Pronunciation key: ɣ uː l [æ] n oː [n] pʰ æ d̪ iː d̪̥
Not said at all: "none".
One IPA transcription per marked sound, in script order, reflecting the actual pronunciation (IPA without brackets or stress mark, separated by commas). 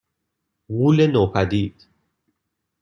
e, none